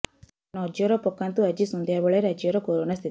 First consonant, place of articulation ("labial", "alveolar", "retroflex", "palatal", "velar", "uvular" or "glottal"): alveolar